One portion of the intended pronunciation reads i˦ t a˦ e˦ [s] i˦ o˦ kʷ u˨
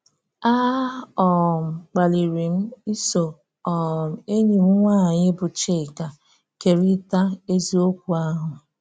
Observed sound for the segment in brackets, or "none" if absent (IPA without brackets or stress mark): z